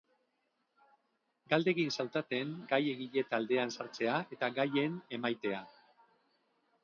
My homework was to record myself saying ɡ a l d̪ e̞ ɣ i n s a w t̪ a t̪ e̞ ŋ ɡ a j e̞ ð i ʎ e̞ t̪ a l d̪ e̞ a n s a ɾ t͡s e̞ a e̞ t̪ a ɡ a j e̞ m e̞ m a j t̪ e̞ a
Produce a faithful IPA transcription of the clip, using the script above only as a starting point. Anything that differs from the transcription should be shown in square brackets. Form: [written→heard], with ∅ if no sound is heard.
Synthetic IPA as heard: ɡ a l d̪ e̞ ɣ i n s a w t̪ a t̪ e̞ ŋ ɡ a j e̞ [ð→ɣ] i ʎ e̞ t̪ a l d̪ e̞ a n s a ɾ t͡s e̞ a e̞ t̪ a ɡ a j e̞ [m→n] e̞ m a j t̪ e̞ a